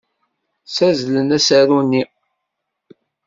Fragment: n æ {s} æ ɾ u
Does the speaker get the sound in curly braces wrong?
no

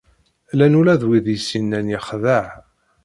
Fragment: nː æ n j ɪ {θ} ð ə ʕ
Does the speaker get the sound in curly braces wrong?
yes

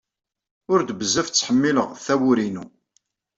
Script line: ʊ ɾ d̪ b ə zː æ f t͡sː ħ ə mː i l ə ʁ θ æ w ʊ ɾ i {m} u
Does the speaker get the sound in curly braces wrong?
yes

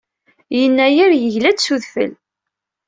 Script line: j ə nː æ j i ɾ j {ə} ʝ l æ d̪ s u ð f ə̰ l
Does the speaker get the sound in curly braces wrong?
no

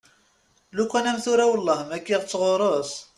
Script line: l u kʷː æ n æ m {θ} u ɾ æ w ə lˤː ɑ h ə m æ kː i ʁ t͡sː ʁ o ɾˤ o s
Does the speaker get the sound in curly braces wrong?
no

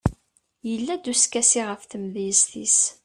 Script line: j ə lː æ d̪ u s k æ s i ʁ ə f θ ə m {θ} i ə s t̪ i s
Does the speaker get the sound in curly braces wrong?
yes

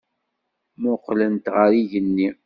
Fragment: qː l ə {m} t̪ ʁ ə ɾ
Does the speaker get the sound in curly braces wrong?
yes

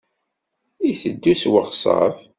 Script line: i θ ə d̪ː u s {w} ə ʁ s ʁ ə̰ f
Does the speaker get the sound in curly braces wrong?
no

